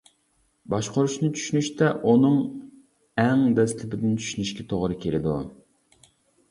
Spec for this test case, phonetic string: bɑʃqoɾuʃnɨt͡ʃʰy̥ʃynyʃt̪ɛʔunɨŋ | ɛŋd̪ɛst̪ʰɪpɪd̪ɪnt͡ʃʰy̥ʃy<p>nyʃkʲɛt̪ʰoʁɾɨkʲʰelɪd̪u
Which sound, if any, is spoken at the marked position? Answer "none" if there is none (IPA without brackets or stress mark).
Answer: none